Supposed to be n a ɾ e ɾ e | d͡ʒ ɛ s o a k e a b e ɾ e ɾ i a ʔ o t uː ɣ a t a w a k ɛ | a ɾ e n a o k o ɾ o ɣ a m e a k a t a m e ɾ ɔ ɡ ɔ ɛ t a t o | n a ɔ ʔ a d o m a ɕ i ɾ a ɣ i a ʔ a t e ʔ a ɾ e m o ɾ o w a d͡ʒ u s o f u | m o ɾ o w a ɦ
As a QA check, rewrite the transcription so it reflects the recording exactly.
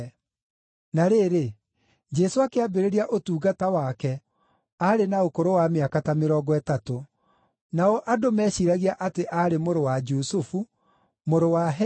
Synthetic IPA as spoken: n a ɾ e ɾ e | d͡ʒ ɛ s o a k e a b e ɾ e ɾ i a ʔ o t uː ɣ a t a w a k ɛ | a ɾ e n a o k o ɾ o w a m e a k a t a m e ɾ ɔ ɡ ɔ ɛ t a t o | n a ɔ ʔ a d o m ɛ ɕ i ɾ a ɣ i a ʔ a t e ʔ a ɾ e m o ɾ o w a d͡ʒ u s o f u | m o ɾ o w a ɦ